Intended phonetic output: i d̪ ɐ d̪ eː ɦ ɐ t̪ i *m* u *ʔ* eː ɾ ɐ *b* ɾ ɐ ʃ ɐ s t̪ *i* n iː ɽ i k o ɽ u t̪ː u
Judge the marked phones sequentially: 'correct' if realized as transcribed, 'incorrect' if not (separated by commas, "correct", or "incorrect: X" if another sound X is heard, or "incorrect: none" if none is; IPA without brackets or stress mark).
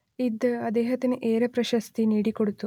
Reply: incorrect: n, correct, incorrect: p, correct